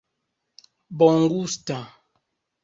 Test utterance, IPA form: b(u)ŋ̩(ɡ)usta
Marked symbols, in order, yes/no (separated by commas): no, yes